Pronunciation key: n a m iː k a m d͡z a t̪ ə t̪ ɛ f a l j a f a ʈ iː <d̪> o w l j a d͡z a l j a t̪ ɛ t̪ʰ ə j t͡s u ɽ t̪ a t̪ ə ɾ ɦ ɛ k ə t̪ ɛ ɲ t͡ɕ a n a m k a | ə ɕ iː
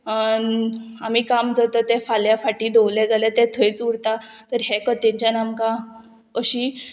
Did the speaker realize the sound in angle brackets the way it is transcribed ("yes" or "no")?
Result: yes